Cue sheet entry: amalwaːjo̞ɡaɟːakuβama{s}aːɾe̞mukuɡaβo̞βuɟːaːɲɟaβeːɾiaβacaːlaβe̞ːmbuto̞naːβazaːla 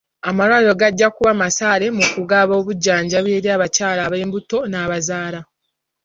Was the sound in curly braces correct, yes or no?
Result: yes